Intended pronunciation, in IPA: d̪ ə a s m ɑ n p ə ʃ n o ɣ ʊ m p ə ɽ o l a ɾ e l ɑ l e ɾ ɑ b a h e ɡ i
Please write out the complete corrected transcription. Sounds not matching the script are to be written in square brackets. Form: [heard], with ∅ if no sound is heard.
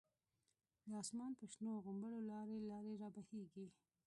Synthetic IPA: d̪ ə [ɑ] s m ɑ n p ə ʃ n o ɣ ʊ m [b] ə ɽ o l [ɑ] ɾ e l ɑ [ɾ] e ɾ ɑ b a h e ɡ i